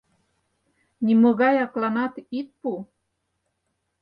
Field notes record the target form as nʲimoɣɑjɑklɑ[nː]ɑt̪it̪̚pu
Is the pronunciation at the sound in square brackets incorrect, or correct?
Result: incorrect